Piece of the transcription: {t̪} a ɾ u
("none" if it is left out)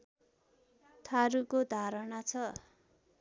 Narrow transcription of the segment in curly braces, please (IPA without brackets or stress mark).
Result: t̪ʰ